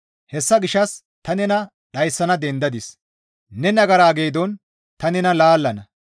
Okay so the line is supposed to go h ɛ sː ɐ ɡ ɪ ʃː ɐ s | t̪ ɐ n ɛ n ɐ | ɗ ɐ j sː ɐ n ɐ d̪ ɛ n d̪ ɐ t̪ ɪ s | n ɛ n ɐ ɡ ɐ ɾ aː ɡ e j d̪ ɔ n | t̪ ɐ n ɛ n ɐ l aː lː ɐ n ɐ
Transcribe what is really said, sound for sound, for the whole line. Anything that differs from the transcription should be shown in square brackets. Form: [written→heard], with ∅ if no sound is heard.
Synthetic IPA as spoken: h ɛ sː ɐ ɡ ɪ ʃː ɐ s | t̪ ɐ n ɛ n ɐ | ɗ ɐ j sː ɐ n ɐ d̪ ɛ n d̪ ɐ [t̪→d̪] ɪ s | n ɛ n ɐ ɡ ɐ ɾ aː ɡ e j d̪ ɔ n | t̪ ɐ n ɛ n ɐ l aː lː ɐ n ɐ